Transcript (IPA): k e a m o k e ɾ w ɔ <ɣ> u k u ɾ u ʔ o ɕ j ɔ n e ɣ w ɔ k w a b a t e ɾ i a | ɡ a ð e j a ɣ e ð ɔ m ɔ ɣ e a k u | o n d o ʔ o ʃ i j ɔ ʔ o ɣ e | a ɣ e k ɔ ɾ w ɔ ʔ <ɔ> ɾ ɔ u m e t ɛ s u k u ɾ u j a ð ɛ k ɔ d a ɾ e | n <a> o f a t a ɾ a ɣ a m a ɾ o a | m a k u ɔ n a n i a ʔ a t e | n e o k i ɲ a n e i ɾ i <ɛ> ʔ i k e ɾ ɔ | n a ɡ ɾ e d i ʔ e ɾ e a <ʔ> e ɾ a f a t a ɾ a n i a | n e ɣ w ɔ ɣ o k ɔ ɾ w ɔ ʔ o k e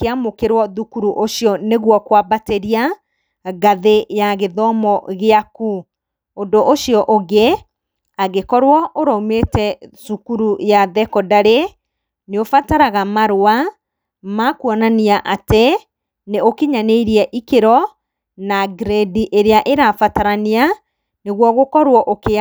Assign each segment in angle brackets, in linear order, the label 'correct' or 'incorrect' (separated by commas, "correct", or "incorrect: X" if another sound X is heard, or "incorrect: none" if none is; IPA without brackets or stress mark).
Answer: incorrect: ð, incorrect: o, incorrect: e, correct, correct